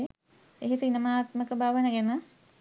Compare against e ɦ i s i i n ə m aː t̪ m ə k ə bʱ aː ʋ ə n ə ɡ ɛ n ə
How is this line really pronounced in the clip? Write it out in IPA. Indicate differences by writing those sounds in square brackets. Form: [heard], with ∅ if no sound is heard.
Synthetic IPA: e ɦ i s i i n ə m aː t̪ m ə k ə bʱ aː ʋ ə n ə ɡ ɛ n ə